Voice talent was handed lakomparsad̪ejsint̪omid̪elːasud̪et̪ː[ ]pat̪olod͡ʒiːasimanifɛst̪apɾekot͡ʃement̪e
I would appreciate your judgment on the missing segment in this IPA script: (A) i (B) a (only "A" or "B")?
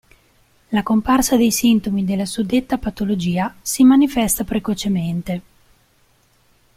B